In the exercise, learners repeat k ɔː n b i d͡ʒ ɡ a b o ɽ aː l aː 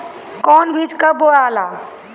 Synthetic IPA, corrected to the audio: k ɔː n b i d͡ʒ k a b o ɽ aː l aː